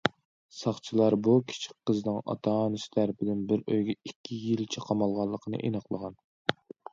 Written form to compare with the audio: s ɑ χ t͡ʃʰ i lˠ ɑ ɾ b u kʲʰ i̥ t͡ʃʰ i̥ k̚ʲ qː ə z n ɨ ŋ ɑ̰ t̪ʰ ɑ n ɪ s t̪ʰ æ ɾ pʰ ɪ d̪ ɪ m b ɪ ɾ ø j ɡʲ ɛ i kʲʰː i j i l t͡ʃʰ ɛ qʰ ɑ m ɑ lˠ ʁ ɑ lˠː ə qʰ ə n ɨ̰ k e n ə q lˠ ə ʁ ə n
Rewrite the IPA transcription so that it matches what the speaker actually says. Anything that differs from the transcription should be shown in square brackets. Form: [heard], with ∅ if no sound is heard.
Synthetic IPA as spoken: s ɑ χ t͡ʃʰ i lˠ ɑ ɾ b u kʲʰ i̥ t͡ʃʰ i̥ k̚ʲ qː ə z n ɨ ŋ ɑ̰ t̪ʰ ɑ n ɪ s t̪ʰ æ ɾ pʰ ɪ d̪ ɪ [n] b ɪ ɾ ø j ɡʲ ɛ i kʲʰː i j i l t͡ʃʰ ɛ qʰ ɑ m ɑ lˠ ʁ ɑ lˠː ə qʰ ə n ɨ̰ [ʔ] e n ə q lˠ ə ʁ [ɑ] n